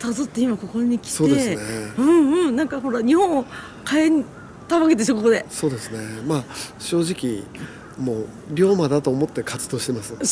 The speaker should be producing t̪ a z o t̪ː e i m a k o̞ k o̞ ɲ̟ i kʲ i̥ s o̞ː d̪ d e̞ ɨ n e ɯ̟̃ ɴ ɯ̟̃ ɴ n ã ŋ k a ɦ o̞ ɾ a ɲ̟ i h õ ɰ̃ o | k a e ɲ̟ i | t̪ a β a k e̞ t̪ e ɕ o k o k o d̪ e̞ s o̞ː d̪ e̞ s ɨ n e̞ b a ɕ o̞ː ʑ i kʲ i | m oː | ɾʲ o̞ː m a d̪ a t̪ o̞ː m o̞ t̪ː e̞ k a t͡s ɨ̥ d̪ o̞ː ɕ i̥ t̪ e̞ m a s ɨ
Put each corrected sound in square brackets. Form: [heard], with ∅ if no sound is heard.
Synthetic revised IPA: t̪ a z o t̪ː e i m a k o̞ k o̞ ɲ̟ i kʲ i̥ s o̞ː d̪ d e̞ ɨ n e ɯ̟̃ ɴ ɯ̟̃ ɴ n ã ŋ k a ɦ o̞ ɾ a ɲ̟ i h õ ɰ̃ o | k a e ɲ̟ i | t̪ a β a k e̞ t̪ e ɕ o k o k o d̪ e̞ s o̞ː d̪ e̞ s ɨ n e̞ [m] a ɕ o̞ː ʑ i kʲ i | m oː | ɾʲ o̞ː m a d̪ a t̪ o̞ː m o̞ t̪ː e̞ k a t͡s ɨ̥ d̪ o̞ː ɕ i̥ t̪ e̞ m a s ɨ